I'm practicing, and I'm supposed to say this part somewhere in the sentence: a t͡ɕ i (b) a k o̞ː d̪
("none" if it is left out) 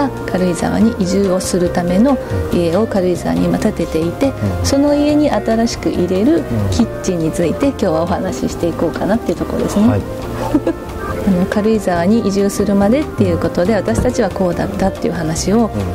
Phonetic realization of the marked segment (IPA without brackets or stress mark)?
β